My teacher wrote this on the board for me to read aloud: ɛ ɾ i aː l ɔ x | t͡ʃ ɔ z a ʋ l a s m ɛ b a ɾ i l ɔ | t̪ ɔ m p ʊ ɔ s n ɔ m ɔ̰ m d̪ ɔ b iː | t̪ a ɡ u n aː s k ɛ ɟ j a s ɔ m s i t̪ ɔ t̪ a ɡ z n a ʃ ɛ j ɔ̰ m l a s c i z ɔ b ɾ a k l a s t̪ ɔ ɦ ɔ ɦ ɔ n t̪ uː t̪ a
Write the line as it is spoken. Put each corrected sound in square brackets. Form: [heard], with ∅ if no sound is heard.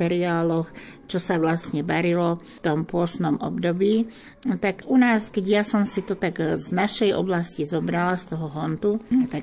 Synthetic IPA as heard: ɛ ɾ i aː l ɔ x | t͡ʃ ɔ [s] a ʋ l a s [ɲ] ɛ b a ɾ i l ɔ | t̪ ɔ m p ʊ ɔ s n ɔ m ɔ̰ [b] d̪ ɔ b iː | t̪ a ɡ u n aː s k ɛ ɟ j a s ɔ m s i t̪ ɔ t̪ a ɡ z n a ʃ ɛ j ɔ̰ [b] l a s c i z ɔ b ɾ a [∅] l a s t̪ ɔ ɦ ɔ ɦ ɔ n t̪ [u] t̪ a